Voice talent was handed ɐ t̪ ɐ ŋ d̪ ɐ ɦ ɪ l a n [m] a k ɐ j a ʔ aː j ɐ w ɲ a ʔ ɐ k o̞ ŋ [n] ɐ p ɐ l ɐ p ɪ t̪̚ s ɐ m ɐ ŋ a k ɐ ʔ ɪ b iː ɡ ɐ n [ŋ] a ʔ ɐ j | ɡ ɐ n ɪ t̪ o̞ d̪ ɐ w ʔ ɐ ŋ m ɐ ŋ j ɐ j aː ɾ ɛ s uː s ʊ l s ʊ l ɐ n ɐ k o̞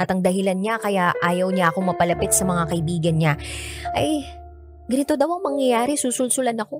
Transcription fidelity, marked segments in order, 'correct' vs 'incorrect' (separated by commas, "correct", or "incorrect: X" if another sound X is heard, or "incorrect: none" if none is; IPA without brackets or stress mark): incorrect: ɲ, incorrect: m, incorrect: ɲ